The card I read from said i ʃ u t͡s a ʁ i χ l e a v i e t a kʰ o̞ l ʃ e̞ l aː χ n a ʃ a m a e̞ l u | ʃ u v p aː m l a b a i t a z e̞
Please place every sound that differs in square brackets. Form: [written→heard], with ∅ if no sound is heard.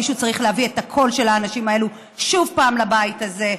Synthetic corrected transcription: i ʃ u t͡s a ʁ i χ l e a v i e t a kʰ o̞ l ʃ e̞ l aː [χ→∅] n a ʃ [a→i] m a e̞ l u | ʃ u v p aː m l a b a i t a z e̞